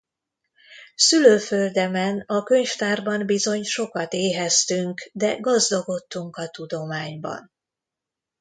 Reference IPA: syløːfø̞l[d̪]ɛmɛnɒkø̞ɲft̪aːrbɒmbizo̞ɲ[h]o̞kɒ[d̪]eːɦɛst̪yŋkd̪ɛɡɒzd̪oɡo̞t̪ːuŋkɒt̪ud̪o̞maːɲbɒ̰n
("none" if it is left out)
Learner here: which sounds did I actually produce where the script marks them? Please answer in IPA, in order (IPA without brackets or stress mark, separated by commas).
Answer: d̪, ʃ, t̪